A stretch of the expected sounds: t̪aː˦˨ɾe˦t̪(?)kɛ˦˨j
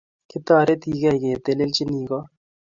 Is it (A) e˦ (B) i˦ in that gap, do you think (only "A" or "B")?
B